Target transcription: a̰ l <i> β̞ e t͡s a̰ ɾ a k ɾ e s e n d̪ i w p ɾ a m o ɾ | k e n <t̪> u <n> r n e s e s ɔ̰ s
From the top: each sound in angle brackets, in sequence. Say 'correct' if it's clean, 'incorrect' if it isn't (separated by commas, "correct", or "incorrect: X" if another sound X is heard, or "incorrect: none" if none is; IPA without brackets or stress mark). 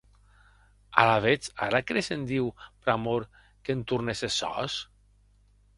incorrect: a, correct, incorrect: none